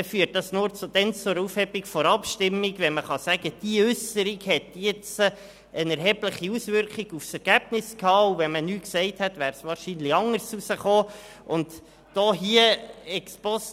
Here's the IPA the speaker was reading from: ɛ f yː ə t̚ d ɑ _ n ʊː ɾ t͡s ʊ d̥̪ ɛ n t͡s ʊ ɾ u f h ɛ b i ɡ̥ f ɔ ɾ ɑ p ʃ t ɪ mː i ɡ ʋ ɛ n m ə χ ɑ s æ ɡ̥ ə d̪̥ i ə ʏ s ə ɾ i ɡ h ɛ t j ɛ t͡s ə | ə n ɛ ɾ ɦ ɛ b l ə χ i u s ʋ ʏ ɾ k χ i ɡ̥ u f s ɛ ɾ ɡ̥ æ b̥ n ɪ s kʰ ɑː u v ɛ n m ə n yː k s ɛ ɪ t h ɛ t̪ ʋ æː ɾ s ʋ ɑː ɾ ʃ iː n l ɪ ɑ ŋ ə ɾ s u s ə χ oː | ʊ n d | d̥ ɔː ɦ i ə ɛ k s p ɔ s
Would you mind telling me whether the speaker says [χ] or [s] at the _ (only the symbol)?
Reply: s